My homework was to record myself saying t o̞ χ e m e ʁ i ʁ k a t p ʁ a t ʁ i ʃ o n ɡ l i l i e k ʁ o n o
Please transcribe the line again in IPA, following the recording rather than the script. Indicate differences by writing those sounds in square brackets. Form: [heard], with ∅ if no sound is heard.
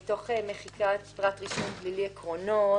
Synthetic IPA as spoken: t o̞ χ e m e [χ] i [∅] k a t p ʁ a t ʁ i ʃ o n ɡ l i l i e k ʁ o n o